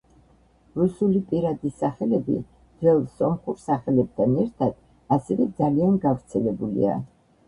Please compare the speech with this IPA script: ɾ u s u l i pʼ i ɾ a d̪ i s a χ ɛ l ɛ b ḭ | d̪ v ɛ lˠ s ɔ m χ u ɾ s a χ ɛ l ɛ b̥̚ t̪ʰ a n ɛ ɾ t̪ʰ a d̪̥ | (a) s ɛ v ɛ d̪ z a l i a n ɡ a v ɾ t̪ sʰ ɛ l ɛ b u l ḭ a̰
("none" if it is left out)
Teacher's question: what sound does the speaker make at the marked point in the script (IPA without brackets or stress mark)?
a